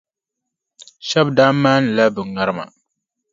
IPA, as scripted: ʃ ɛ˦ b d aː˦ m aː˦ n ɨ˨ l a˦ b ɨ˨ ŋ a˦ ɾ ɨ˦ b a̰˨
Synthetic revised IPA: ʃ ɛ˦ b d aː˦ m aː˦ n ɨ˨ l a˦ b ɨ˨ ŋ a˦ ɾ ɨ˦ m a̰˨

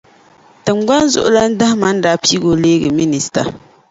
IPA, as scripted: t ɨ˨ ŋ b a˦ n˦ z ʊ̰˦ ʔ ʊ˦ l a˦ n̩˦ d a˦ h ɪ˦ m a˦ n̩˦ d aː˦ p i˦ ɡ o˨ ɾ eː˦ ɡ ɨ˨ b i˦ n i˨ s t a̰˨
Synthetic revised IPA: t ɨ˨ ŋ ɡ͡b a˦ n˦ z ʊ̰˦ ʔ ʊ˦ l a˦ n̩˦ d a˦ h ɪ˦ m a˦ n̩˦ d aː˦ p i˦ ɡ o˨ l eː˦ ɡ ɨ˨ m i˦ n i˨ s t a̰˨

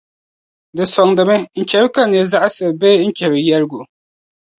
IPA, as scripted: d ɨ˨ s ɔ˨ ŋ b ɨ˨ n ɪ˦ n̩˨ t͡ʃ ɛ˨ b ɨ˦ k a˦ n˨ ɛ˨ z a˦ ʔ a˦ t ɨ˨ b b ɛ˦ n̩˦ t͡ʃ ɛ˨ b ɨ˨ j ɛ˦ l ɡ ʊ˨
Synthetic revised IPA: d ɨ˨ s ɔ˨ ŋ d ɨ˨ m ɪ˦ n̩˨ t͡ʃ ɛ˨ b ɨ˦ k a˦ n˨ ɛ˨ z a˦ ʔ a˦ s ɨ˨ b b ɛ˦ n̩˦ t͡ʃ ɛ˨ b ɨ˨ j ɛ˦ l ɡ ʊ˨

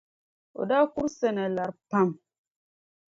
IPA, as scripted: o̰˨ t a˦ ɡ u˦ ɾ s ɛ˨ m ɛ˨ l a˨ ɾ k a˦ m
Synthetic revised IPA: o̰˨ d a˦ k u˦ ɾ s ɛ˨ n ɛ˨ l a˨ ɾ p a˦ m

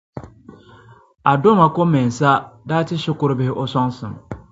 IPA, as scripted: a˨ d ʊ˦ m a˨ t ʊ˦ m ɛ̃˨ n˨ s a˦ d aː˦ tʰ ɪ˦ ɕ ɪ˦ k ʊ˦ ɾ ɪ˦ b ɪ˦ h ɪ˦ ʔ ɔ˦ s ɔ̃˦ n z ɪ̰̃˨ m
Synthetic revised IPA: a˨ d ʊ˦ m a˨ k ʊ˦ m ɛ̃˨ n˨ s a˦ d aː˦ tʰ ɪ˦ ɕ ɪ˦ k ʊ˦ ɾ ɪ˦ b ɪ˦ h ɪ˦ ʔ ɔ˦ s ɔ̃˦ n s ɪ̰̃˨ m

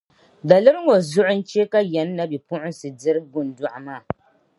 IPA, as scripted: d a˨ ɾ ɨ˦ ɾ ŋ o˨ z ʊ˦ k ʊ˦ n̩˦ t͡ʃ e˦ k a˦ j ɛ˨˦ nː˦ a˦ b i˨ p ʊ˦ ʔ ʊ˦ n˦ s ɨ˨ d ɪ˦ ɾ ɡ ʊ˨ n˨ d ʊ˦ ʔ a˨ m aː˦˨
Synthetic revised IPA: d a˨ l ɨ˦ ɾ ŋ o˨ z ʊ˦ ʔ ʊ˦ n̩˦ t͡ʃ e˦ k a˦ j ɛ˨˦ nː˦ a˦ b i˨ p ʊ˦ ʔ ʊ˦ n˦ s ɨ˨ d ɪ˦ ɾ ɡ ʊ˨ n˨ d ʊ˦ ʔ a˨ m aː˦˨

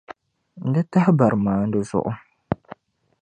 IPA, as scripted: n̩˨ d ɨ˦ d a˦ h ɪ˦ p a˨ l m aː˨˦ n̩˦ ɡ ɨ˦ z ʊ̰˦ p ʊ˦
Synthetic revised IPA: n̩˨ d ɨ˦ t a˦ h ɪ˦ b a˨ ɾ m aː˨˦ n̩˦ d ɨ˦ z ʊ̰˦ ʔ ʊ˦

